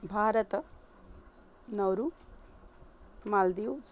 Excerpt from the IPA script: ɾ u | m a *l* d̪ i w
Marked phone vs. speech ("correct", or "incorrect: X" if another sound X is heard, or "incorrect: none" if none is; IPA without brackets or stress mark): correct